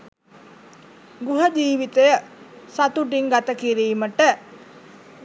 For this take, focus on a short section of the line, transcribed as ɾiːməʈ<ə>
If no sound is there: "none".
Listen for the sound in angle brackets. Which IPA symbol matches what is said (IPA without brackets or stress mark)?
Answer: ə